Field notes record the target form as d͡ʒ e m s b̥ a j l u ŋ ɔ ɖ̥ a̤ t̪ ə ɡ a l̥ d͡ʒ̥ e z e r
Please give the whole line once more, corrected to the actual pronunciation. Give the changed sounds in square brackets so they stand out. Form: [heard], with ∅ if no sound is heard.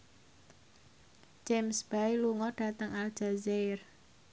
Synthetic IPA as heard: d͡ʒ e m s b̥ a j l u ŋ ɔ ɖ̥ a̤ t̪ ə [ŋ] a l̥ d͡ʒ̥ [a] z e r